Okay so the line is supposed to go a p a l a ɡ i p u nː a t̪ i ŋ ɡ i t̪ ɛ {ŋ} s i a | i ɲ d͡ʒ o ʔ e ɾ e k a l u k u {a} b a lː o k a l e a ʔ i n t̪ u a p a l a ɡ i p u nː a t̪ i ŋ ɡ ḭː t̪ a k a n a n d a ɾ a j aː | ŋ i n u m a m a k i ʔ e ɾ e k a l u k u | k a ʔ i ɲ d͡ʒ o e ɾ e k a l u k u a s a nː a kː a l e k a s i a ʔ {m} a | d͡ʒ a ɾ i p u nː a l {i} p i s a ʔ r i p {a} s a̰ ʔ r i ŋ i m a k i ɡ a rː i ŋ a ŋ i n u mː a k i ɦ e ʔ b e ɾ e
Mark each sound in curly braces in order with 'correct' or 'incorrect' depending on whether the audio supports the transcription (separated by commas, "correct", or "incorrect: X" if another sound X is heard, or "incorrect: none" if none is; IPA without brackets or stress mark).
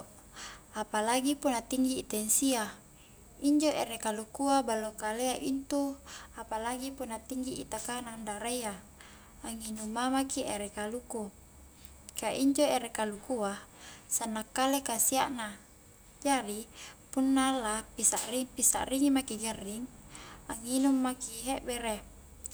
incorrect: n, correct, incorrect: n, incorrect: a, incorrect: i